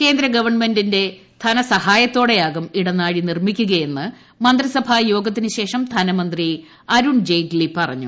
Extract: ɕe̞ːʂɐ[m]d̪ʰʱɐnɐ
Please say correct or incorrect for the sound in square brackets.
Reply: correct